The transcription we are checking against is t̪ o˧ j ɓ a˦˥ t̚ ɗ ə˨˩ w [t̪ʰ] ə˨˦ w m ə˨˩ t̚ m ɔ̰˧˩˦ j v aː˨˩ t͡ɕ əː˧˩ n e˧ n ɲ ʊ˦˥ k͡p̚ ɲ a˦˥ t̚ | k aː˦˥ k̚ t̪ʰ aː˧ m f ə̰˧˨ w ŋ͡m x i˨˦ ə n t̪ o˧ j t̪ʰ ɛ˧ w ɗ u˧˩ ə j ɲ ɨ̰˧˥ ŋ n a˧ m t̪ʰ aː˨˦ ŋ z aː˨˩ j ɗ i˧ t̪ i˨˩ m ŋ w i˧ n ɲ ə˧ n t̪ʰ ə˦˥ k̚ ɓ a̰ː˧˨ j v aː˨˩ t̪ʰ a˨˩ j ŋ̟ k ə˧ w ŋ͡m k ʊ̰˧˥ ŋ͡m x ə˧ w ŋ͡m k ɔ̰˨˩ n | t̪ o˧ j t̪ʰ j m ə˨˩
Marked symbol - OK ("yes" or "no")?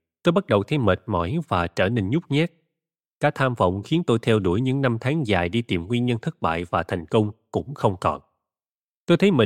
yes